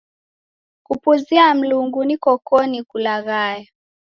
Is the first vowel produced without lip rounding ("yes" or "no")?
no